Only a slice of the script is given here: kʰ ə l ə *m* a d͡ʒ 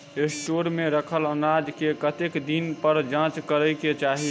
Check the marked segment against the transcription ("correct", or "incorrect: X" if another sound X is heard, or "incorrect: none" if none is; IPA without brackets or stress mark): incorrect: n